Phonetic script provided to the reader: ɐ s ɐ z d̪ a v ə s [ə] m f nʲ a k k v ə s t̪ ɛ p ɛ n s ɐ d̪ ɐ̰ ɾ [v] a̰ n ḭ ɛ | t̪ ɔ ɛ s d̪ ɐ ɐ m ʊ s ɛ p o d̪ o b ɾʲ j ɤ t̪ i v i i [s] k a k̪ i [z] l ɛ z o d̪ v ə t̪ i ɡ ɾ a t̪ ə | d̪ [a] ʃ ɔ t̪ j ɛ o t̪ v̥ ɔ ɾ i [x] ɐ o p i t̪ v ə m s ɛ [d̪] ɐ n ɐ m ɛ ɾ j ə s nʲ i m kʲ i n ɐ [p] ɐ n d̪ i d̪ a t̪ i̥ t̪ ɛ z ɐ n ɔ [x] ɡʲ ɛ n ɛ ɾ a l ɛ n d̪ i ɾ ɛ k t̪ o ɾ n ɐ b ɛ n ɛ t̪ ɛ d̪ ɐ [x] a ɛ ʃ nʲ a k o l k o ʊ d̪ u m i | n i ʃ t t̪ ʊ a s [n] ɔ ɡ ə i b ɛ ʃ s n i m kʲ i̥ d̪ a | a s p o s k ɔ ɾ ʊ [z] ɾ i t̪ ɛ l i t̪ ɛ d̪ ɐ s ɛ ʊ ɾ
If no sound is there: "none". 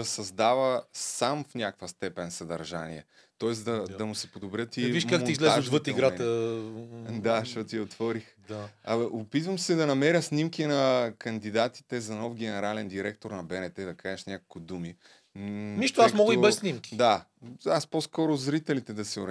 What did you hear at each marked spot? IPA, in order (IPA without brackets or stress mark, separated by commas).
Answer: a, ʒ, ʃ, z, a, x, d̪, k, f, k, m, z